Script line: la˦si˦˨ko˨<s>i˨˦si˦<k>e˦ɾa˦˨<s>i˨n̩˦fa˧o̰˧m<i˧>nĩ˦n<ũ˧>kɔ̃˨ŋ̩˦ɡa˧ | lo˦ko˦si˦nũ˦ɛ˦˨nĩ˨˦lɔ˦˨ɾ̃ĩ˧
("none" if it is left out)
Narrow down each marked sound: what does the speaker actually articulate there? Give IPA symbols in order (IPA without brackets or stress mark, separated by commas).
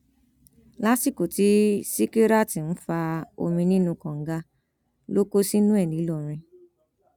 t, k, t, ĩ˧, ũ˧